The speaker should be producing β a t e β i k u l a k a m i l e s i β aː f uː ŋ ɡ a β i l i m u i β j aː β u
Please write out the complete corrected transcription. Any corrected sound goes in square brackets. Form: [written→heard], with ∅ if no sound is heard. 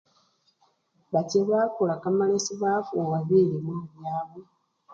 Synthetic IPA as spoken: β a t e β [i→a] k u l a k a m [i→a] l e s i β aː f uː ŋ ɡ a β i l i m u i β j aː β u